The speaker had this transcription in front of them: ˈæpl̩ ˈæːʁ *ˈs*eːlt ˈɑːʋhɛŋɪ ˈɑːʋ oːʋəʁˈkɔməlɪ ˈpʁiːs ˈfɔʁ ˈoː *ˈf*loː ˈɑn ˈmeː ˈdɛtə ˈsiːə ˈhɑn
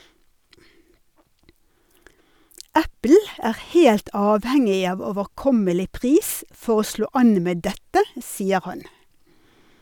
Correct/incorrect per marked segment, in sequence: incorrect, incorrect

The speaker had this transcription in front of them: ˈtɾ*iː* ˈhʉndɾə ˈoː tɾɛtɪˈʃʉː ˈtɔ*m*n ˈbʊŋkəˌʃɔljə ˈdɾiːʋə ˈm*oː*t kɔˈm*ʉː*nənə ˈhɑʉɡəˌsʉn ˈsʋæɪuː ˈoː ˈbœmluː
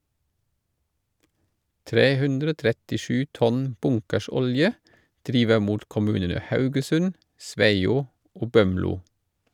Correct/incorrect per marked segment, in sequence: incorrect, incorrect, incorrect, correct

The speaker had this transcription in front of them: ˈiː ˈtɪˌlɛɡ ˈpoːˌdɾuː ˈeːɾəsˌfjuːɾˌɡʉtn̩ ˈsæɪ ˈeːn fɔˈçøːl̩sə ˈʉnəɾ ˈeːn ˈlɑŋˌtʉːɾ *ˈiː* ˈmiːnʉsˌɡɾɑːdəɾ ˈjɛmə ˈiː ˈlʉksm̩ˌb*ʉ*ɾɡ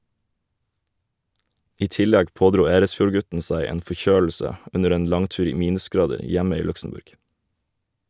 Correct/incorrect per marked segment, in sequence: correct, correct

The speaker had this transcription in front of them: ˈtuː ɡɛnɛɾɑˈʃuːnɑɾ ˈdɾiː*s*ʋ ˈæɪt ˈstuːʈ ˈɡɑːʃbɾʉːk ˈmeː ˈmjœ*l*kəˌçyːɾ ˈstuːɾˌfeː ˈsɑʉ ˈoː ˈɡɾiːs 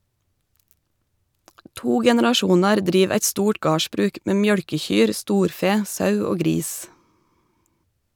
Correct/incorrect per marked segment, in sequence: incorrect, incorrect

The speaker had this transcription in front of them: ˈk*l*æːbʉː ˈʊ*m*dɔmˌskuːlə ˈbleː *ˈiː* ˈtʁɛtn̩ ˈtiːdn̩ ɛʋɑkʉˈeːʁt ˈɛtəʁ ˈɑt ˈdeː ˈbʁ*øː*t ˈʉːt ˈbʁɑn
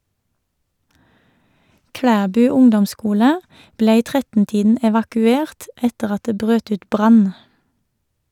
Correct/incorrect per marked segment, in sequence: incorrect, incorrect, correct, correct

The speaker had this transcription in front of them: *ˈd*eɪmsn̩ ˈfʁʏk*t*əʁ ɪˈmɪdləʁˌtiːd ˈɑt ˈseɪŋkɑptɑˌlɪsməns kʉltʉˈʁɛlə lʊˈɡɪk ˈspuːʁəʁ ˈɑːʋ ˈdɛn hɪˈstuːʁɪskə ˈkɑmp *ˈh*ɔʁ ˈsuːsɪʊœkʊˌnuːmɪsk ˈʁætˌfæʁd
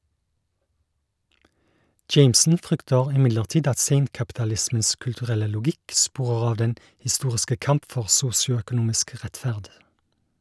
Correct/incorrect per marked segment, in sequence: incorrect, correct, incorrect

